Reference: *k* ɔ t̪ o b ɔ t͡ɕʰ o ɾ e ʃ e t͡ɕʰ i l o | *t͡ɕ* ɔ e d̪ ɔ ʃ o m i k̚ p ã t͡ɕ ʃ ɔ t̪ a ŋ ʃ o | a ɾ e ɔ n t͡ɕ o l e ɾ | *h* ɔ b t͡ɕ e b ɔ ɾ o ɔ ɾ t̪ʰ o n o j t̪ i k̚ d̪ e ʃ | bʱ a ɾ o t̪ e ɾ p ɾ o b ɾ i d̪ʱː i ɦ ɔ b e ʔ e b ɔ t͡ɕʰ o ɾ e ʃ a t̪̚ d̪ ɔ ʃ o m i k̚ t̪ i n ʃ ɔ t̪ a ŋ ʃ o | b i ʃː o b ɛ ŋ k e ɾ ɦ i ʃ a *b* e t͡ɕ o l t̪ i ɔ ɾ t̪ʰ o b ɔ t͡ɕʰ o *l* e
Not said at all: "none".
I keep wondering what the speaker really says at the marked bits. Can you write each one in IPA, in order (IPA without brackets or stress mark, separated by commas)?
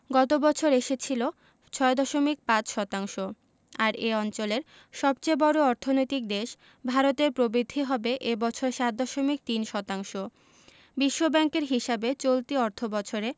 ɡ, t͡ɕʰ, ʃ, b, ɾ